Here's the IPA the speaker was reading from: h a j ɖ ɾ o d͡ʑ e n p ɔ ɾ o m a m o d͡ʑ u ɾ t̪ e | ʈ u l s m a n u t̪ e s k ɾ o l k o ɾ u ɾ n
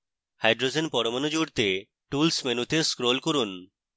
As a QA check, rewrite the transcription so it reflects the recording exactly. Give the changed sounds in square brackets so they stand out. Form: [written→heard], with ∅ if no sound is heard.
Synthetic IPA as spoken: h a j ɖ ɾ o d͡ʑ e n p ɔ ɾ o m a [m→n] o d͡ʑ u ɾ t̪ e | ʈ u l s m [a→e] n u t̪ e s k ɾ o l k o ɾ u [ɾ→∅] n